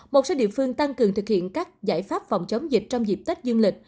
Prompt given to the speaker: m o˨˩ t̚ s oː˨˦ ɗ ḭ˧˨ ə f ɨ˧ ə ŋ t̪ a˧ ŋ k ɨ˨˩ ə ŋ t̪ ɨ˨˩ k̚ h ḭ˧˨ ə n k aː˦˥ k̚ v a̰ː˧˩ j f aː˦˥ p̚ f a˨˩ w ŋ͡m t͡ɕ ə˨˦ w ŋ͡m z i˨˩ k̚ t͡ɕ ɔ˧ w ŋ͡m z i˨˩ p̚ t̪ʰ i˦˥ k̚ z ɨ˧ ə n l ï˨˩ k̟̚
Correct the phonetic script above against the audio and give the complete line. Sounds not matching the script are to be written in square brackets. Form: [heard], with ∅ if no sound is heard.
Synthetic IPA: m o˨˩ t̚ s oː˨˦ ɗ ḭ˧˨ ə f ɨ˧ ə ŋ t̪ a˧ ŋ k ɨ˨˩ ə ŋ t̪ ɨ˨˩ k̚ h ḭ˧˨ ə n k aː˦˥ k̚ [z] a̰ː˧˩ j f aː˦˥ p̚ f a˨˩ w ŋ͡m t͡ɕ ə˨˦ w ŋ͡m z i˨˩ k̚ t͡ɕ ɔ˧ w ŋ͡m z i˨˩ p̚ [t̪] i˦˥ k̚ z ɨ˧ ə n l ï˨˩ k̟̚